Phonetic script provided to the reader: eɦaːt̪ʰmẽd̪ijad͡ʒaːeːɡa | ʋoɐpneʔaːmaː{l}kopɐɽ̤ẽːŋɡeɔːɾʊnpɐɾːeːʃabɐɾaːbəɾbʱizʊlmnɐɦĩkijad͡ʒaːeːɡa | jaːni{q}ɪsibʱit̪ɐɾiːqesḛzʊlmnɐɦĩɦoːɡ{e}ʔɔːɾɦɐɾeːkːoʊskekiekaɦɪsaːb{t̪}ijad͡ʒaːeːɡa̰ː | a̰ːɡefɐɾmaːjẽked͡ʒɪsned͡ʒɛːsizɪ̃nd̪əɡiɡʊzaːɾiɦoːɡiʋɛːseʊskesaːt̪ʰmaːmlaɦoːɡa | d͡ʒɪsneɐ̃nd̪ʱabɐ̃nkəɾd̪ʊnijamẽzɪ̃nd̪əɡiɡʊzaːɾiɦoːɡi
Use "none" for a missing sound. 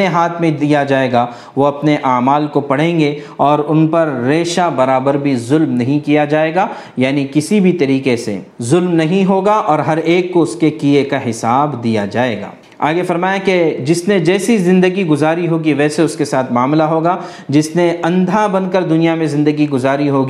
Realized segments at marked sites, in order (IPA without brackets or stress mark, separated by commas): l, k, a, d̪